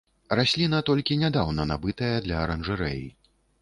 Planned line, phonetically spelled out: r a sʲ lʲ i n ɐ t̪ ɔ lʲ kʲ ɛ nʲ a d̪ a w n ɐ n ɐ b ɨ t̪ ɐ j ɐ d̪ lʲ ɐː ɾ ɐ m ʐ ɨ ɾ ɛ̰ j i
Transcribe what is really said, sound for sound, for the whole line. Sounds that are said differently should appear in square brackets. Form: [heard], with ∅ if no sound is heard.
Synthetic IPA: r a sʲ lʲ i n ɐ t̪ ɔ lʲ kʲ [i] nʲ a d̪ a w n ɐ n [a] b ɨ t̪ ɐ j ɐ d̪ lʲ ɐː ɾ ɐ [n] ʐ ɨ ɾ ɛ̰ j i

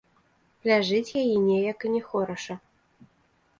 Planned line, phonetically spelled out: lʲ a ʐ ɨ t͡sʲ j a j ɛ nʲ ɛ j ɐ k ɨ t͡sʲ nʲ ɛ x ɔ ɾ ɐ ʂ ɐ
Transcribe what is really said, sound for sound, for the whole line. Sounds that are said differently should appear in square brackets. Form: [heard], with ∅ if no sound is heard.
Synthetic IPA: lʲ a ʐ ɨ t͡sʲ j a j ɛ nʲ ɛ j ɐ k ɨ [∅] nʲ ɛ x ɔ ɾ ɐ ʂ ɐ

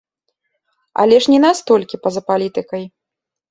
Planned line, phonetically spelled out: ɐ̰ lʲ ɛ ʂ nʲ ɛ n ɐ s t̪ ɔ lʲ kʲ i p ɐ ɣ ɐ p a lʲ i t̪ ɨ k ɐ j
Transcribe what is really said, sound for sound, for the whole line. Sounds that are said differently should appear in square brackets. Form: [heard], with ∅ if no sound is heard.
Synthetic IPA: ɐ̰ lʲ ɛ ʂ nʲ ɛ n [a] s t̪ ɔ lʲ kʲ i p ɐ [z] ɐ p a lʲ i t̪ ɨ k ɐ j

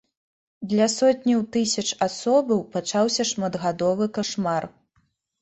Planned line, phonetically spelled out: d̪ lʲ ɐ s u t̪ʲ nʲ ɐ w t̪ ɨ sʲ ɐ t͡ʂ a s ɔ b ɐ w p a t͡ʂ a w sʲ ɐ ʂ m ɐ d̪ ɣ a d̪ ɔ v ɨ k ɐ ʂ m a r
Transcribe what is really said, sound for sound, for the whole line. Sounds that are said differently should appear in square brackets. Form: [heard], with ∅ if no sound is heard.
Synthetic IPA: d̪ lʲ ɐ s [ɔ] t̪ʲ nʲ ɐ w t̪ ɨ sʲ ɐ t͡ʂ a s ɔ b ɐ w p a t͡ʂ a w sʲ ɐ ʂ m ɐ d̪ ɣ a d̪ ɔ v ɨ k [a] ʂ m a r

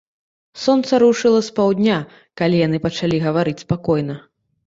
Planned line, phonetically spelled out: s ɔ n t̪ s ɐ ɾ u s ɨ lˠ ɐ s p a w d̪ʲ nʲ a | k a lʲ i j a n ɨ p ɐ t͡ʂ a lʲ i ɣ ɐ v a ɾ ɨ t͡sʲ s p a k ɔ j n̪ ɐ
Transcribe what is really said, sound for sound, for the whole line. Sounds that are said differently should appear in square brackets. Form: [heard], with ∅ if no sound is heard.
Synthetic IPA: s ɔ n t̪ s ɐ ɾ u [ʂ] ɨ lˠ ɐ s p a w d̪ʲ nʲ a | k a lʲ i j a n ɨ p ɐ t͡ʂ a lʲ i ɣ ɐ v a ɾ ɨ t͡sʲ s p a k ɔ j n̪ ɐ

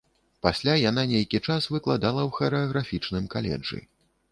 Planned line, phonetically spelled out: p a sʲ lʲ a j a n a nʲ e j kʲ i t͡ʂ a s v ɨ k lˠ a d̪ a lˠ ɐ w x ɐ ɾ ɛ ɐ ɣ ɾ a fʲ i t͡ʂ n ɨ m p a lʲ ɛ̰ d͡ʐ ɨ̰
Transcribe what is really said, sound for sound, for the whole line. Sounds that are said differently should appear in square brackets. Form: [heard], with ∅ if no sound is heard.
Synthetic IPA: p a sʲ lʲ a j a n a nʲ e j kʲ i t͡ʂ a s v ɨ k lˠ a d̪ a lˠ ɐ w x ɐ ɾ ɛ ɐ ɣ ɾ a fʲ i t͡ʂ n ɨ m [k] a lʲ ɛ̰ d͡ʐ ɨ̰

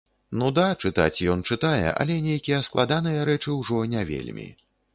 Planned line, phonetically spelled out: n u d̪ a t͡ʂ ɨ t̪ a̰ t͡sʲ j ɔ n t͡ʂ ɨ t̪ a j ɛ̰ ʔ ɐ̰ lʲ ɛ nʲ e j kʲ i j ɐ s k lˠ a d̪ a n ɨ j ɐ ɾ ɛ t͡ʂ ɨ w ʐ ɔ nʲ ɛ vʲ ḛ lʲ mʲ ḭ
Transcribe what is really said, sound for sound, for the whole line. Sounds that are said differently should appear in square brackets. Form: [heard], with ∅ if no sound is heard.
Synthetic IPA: n u d̪ a t͡ʂ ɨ t̪ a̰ t͡sʲ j ɔ n t͡ʂ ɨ t̪ a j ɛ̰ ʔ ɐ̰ lʲ ɛ nʲ e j kʲ i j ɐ s k lˠ a d̪ a n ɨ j ɐ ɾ ɛ t͡ʂ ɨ w ʐ ɔ nʲ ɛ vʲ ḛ lʲ mʲ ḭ

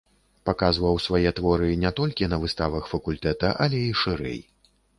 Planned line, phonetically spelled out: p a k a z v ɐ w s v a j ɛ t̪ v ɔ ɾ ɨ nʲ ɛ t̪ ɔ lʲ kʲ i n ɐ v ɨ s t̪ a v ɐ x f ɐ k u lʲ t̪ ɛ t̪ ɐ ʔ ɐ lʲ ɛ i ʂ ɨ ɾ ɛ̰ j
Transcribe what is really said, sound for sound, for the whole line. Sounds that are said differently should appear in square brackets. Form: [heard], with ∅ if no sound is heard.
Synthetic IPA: p a k a z v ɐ w s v a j ɛ t̪ v ɔ ɾ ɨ nʲ ɛ t̪ ɔ lʲ kʲ i n ɐ v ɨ s t̪ a v ɐ x f ɐ k u lʲ t̪ ɛ t̪ ɐ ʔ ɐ lʲ ɛ i ʂ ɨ ɾ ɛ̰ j

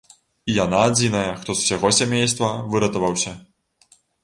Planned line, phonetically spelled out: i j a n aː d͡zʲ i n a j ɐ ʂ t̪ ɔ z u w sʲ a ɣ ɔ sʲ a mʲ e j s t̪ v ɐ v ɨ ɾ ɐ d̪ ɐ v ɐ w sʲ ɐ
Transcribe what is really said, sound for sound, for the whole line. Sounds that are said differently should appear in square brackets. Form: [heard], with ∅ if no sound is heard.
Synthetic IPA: i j a n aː d͡zʲ i n [ɐ] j ɐ [x] t̪ ɔ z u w sʲ a ɣ ɔ sʲ a mʲ e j s t̪ v ɐ v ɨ ɾ ɐ [t̪] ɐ v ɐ w sʲ ɐ

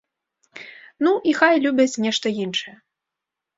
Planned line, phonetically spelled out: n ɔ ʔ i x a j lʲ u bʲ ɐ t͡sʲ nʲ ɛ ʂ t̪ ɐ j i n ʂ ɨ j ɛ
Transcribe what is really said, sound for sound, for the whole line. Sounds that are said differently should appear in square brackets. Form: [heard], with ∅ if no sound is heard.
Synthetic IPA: n [u] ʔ i x a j lʲ u bʲ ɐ t͡sʲ nʲ ɛ ʂ t̪ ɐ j i n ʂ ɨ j ɛ

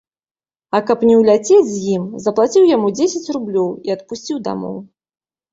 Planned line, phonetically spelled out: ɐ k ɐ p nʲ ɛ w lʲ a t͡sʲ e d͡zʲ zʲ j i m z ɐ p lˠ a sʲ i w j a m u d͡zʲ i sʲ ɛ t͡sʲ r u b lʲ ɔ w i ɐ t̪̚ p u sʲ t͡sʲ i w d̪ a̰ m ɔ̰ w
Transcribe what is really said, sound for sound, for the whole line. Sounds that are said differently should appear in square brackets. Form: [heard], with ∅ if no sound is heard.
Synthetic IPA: ɐ k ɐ p nʲ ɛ w lʲ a t͡sʲ e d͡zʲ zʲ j i m z ɐ p lˠ a [t͡sʲ] i w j a m u d͡zʲ [e] sʲ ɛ t͡sʲ r u b lʲ ɔ w i ɐ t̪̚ p u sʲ t͡sʲ i w d̪ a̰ m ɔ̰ w

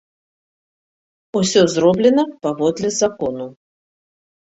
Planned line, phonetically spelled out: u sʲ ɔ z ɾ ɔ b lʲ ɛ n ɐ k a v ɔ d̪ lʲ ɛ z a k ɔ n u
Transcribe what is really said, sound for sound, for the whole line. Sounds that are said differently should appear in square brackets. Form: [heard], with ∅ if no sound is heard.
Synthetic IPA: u sʲ ɔ z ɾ ɔ b lʲ ɛ n ɐ [p] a v ɔ d̪ lʲ ɛ z a k ɔ n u

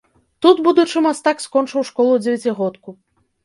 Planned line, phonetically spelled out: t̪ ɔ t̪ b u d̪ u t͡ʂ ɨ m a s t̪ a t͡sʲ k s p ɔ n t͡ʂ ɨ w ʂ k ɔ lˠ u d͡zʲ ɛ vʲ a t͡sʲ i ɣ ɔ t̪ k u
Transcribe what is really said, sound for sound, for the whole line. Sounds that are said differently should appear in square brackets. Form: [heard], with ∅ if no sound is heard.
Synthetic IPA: t̪ [u] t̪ b u d̪ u t͡ʂ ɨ m a s t̪ a [∅] k s [k] ɔ n t͡ʂ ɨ w ʂ k ɔ lˠ u d͡zʲ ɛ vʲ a t͡sʲ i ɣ ɔ t̪ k u

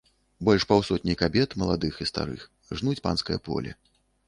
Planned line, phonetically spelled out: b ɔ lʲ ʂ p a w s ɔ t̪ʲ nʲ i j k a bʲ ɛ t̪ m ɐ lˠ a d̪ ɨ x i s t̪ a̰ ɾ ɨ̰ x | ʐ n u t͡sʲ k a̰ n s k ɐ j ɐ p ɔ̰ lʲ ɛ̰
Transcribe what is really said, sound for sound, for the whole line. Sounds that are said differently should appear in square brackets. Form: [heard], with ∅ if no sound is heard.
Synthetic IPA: b ɔ lʲ ʂ p a w s ɔ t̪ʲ nʲ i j k a bʲ ɛ t̪ m ɐ lˠ a d̪ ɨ x i s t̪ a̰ ɾ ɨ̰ x | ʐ n u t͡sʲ [p] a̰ n s k ɐ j ɐ p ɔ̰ lʲ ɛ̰

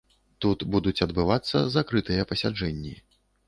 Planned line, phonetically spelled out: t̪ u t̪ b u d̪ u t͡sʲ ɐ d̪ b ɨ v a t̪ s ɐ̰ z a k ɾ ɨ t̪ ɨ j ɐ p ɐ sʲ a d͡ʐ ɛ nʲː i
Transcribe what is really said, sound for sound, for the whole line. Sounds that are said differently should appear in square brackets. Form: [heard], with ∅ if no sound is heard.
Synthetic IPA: t̪ u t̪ b u d̪ u t͡sʲ ɐ d̪ b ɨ v a t̪ [sː] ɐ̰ z a k ɾ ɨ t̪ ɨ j ɐ p ɐ sʲ a d͡ʐ ɛ nʲː i

